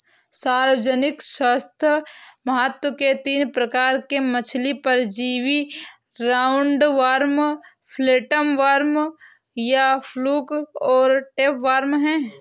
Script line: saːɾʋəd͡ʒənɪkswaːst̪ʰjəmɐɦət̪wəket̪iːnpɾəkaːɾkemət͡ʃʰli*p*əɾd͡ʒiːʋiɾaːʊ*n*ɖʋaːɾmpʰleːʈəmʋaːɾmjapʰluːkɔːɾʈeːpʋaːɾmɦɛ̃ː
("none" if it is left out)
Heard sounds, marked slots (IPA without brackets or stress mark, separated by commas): p, ɳ